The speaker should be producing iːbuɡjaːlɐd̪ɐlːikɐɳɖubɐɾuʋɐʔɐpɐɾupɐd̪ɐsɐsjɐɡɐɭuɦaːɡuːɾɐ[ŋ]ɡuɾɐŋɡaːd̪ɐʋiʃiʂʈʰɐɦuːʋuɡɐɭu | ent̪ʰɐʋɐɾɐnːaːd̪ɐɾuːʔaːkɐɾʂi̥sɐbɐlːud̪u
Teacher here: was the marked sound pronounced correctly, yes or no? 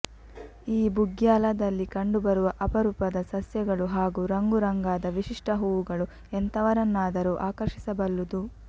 yes